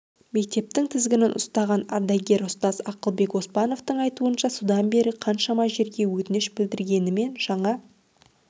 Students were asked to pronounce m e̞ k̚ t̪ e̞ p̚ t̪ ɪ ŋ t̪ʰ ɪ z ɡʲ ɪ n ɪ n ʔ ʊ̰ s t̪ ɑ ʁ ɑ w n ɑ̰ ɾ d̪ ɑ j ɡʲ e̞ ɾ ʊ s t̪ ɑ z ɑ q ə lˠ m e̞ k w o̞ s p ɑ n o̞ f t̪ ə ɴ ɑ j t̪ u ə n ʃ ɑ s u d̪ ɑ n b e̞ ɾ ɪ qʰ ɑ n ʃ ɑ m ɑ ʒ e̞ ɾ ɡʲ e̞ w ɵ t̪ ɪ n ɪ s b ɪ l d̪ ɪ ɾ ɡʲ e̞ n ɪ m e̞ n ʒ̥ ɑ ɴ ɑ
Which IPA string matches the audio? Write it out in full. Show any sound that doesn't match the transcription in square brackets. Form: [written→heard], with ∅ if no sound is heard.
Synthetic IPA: m e̞ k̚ t̪ e̞ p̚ t̪ ɪ ŋ t̪ʰ ɪ z ɡʲ ɪ n ɪ n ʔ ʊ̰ s t̪ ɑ ʁ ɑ [w→∅] n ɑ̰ ɾ d̪ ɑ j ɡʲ e̞ ɾ ʊ s t̪ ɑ z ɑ q ə lˠ [m→b] e̞ k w o̞ s p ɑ n o̞ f t̪ ə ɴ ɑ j t̪ u ə n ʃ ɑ s u d̪ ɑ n b e̞ ɾ ɪ qʰ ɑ n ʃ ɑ m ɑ ʒ e̞ ɾ ɡʲ e̞ w ɵ t̪ ɪ n ɪ [s→ʃ] b ɪ l d̪ ɪ ɾ ɡʲ e̞ n ɪ m e̞ n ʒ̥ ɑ ɴ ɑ